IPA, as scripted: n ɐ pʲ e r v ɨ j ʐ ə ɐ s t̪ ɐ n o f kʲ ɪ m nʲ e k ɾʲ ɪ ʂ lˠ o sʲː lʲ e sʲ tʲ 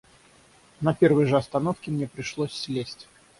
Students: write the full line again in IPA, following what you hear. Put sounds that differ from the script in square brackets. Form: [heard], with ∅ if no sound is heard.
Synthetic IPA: n ɐ pʲ e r v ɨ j ʐ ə ɐ s t̪ ɐ n o f kʲ ɪ m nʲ e [p] ɾʲ ɪ ʂ lˠ o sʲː lʲ e sʲ tʲ